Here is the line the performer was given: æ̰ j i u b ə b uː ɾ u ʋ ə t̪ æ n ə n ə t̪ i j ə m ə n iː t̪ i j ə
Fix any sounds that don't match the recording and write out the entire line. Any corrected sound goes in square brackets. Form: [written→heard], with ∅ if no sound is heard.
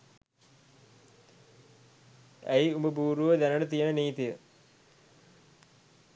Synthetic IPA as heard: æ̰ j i u [b→m] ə b uː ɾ u ʋ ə [t̪→d̪] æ n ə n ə t̪ i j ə [m→n] ə n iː t̪ i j ə